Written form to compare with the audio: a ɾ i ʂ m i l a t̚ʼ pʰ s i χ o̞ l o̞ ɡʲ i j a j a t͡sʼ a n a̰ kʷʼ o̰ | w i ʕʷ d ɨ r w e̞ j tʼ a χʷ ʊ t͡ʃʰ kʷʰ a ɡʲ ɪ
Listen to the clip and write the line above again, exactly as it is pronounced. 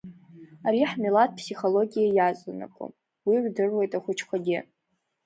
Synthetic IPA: a ɾ i ħ m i l a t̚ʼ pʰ s i χ o̞ l o̞ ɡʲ i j a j a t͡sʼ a n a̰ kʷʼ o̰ | w i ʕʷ d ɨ r w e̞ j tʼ a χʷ ʊ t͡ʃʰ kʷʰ a ɡʲ ɪ